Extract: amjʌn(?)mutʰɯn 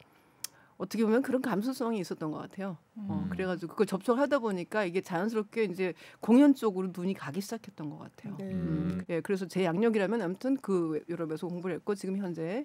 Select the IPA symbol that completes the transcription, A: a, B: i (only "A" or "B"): A